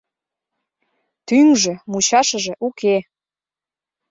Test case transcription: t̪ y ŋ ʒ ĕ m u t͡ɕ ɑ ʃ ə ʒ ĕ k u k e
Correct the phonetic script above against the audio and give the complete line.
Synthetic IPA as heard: t̪ y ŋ ʒ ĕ m u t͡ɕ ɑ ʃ ə ʒ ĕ ʔ u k e